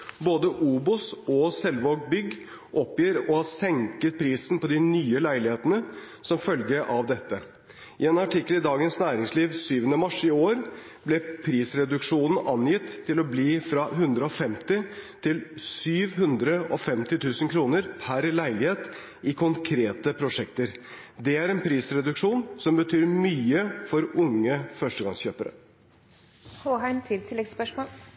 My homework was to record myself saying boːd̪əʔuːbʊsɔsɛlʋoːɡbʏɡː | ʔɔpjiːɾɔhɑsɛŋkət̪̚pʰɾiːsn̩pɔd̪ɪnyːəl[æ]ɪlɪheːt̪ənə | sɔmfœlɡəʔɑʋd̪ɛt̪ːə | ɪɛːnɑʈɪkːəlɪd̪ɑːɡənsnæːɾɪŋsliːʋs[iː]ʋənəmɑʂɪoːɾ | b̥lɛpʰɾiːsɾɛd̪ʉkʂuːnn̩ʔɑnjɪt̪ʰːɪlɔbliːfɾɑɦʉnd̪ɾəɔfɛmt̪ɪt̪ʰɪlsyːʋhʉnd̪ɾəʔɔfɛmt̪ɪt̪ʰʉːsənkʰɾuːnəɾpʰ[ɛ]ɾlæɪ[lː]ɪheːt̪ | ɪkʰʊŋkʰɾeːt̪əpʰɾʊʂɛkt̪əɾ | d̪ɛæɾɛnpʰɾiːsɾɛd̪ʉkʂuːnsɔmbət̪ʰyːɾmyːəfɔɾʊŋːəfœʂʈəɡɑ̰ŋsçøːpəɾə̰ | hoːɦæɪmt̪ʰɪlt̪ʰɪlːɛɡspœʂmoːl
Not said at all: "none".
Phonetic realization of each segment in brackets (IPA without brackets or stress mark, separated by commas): æ, yː, æ, l